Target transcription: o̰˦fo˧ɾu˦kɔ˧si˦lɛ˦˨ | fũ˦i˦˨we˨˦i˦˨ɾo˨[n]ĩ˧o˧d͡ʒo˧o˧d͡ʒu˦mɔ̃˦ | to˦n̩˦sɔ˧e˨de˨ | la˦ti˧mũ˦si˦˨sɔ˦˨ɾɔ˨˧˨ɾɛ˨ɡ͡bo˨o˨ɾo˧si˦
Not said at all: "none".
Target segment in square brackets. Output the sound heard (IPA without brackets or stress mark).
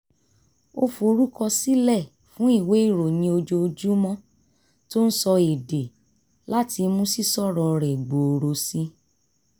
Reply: n